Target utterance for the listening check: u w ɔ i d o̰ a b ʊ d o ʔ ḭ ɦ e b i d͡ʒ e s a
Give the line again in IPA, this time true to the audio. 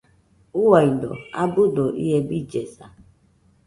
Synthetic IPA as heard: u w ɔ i d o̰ a b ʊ d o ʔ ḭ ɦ e b i d͡ʒ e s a